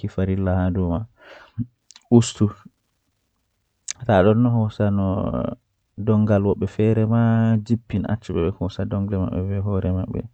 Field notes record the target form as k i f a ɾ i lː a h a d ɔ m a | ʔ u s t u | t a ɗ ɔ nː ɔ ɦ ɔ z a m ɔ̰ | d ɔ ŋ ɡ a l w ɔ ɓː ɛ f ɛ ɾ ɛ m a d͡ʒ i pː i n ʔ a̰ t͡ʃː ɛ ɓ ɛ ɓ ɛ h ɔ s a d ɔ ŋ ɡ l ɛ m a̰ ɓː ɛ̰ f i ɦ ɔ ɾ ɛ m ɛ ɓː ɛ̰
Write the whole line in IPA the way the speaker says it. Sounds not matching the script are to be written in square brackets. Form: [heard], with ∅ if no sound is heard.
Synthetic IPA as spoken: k i f a ɾ i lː a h a d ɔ m a | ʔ u s t u | t a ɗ ɔ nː ɔ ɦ ɔ [s] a [n] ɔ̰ | d ɔ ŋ ɡ a l w ɔ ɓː ɛ f ɛ ɾ ɛ m a d͡ʒ i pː i n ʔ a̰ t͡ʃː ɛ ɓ ɛ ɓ ɛ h ɔ s a d ɔ ŋ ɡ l ɛ m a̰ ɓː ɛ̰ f [ɛ] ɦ ɔ ɾ ɛ m [a] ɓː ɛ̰